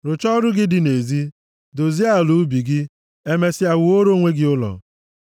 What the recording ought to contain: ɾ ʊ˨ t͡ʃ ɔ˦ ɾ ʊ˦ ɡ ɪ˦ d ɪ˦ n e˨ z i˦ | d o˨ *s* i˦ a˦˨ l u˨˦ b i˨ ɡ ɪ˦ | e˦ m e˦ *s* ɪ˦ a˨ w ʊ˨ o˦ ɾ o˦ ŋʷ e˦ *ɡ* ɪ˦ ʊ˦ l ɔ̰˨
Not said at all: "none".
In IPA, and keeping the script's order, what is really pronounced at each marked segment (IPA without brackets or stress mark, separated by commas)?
z, s, ɡ